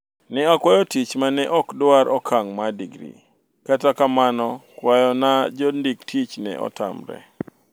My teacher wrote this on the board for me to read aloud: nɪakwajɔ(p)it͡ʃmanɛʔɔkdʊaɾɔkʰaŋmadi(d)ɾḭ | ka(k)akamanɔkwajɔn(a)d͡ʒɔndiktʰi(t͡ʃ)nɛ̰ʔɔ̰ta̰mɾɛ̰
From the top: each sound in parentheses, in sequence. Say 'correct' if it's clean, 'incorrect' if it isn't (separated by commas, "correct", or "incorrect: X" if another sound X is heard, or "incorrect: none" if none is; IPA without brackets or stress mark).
incorrect: t, incorrect: ɡ, incorrect: t, correct, correct